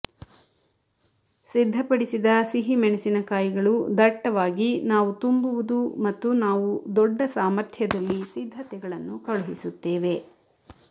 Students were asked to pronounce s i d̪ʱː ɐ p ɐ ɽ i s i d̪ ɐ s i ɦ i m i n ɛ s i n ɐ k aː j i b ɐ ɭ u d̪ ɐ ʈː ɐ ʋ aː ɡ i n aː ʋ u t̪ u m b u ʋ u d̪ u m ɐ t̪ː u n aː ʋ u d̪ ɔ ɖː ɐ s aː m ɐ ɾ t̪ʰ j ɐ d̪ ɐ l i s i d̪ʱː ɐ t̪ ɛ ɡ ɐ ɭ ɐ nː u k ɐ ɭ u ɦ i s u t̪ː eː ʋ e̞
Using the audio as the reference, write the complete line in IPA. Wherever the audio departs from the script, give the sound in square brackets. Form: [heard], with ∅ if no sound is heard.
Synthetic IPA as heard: s i d̪ʱː ɐ p ɐ ɽ i s i d̪ ɐ s i ɦ i m [ɛ] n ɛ s i n ɐ k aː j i [ɡ] ɐ ɭ u d̪ ɐ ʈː ɐ ʋ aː ɡ i n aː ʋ u t̪ u m b u ʋ u d̪ u m ɐ t̪ː u n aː ʋ u d̪ ɔ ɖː ɐ s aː m ɐ ɾ t̪ʰ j ɐ d̪ ɐ [lː] i s i d̪ʱː ɐ t̪ ɛ ɡ ɐ ɭ ɐ nː u k ɐ ɭ u ɦ i s u t̪ː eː ʋ e̞